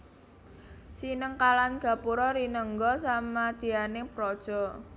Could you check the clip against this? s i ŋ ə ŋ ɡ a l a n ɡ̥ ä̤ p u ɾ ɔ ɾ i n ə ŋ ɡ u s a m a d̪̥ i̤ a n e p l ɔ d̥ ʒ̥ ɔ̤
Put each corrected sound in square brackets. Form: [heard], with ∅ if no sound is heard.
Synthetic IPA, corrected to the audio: s i [n] ə ŋ [k] a l a n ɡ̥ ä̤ p u ɾ ɔ ɾ i n ə ŋ ɡ [ɔ] s a m a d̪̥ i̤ a n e p [ɾ] ɔ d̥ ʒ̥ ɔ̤